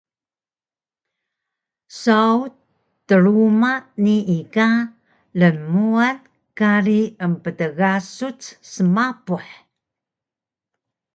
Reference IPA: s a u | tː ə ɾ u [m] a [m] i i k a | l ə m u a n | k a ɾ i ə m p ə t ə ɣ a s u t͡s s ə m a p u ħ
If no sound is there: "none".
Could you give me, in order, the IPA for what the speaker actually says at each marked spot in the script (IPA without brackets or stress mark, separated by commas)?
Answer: m, n